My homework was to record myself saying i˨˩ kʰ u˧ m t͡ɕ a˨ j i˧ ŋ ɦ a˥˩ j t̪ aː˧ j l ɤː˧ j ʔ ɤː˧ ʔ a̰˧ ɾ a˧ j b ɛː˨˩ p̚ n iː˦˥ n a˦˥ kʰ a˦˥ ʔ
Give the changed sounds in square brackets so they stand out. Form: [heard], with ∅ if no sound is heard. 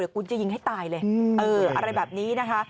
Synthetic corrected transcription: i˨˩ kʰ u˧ [n] t͡ɕ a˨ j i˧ ŋ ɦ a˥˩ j t̪ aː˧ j l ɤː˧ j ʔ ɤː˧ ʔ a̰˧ ɾ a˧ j b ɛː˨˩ p̚ n iː˦˥ n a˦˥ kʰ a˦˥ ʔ